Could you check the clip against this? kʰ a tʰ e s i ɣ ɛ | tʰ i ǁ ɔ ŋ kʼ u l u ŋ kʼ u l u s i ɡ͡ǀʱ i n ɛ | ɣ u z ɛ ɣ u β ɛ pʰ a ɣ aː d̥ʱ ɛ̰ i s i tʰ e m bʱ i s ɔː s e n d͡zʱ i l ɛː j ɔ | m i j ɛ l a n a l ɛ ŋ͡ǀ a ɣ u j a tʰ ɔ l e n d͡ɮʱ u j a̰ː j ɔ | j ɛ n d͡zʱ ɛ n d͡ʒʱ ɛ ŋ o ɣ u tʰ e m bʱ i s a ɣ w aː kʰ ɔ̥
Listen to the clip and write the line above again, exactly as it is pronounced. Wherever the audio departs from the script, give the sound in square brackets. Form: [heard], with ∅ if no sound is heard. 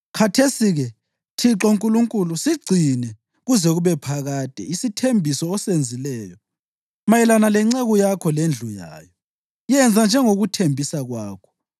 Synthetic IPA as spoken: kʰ a tʰ e s i ɣ ɛ | tʰ i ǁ ɔ ŋ kʼ u l u ŋ kʼ u l u s i ɡ͡ǀʱ i n ɛ | ɣ u z ɛ ɣ u β ɛ pʰ a ɣ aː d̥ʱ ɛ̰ i s i tʰ e m bʱ i s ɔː s e n d͡zʱ i l ɛː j ɔ | m [a] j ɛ l a n a l ɛ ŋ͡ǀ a ɣ u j a [kʰ] ɔ l e n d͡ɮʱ u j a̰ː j ɔ | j ɛ n d͡zʱ [a] n d͡ʒʱ ɛ ŋ o ɣ u tʰ e m bʱ i s a ɣ w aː kʰ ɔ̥